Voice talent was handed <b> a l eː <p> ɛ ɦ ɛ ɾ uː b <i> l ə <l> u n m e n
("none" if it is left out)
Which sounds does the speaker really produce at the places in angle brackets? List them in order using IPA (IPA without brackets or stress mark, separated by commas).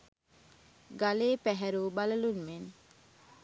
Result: ɡ, p, a, l